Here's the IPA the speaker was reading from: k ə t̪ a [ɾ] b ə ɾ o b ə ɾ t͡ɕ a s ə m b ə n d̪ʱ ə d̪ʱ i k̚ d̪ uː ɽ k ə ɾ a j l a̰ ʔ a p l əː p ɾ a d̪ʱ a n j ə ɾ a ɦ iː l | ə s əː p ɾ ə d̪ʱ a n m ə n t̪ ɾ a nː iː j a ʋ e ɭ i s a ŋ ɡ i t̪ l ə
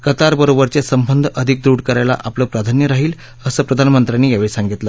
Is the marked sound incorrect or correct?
correct